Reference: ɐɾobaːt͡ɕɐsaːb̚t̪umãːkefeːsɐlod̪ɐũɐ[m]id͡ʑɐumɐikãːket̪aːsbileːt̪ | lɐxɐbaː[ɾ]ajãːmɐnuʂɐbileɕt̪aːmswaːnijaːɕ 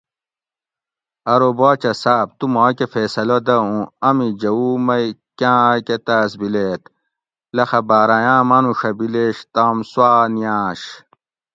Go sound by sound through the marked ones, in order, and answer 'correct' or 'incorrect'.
correct, correct

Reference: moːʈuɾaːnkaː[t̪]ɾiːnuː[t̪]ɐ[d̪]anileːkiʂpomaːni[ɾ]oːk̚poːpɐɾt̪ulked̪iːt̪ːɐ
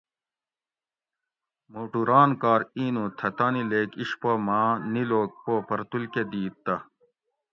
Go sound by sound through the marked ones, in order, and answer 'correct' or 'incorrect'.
incorrect, incorrect, incorrect, incorrect

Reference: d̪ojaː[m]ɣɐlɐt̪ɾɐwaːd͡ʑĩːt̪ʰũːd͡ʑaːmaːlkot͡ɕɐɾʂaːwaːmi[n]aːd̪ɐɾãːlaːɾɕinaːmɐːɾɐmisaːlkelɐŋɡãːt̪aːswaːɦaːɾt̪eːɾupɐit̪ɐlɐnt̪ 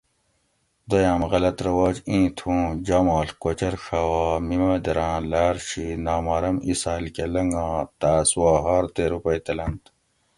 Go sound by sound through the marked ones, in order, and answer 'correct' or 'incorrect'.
correct, incorrect

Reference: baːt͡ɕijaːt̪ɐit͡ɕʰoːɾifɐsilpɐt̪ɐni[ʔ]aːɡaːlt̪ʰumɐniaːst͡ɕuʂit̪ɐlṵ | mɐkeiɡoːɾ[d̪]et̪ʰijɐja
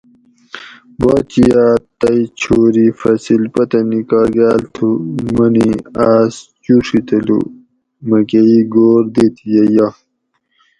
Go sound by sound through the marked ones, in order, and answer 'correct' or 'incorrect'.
incorrect, correct

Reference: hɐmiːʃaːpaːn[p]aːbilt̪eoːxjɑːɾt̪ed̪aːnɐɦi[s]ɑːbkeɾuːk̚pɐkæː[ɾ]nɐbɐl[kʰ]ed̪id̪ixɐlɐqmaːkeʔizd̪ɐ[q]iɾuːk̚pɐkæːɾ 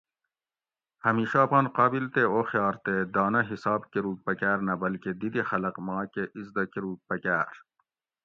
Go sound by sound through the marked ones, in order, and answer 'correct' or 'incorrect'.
incorrect, correct, correct, incorrect, incorrect

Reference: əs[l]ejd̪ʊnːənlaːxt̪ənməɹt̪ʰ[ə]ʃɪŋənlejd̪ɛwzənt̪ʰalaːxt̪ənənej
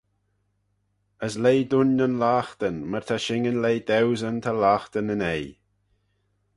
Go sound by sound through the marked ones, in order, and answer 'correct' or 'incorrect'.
correct, incorrect

